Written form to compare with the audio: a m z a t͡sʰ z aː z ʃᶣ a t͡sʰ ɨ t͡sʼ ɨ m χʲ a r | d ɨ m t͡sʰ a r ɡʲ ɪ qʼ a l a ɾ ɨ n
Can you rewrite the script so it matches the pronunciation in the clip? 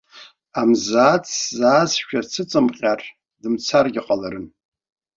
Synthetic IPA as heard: a m z a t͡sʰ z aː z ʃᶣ a t͡sʰ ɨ t͡sʼ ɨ m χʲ a r | d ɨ m t͡sʰ a r ɡʲ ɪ qʼ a l a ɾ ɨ n